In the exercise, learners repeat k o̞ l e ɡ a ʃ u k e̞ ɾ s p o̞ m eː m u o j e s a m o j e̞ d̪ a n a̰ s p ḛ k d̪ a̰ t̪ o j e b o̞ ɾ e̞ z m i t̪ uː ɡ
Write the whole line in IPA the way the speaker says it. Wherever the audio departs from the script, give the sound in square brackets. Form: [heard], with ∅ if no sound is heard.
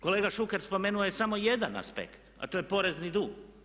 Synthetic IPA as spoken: k o̞ l e ɡ a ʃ u k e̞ ɾ s p o̞ m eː [n] u o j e s a m o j e̞ d̪ a n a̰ s p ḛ k [t̪] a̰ t̪ o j e [p] o̞ ɾ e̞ z [n] i [d̪] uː ɡ